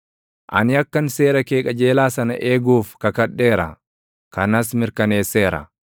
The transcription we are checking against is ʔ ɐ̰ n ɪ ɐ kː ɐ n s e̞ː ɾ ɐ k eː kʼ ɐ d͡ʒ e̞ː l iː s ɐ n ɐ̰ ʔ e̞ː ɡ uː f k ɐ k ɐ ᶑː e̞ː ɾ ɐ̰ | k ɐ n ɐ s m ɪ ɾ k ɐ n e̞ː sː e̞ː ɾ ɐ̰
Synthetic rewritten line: ʔ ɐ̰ n ɪ ɐ kː ɐ n s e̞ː ɾ ɐ k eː kʼ ɐ d͡ʒ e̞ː l aː s ɐ n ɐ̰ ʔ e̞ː ɡ uː f k ɐ k ɐ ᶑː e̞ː ɾ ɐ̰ | k ɐ n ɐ s m ɪ ɾ k ɐ n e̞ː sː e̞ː ɾ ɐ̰